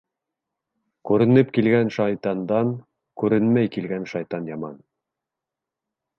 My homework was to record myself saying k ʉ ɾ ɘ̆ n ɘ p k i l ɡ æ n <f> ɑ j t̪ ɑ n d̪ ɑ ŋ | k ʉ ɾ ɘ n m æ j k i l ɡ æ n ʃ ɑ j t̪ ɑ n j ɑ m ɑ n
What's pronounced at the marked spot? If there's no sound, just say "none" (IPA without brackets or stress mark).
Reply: ʃ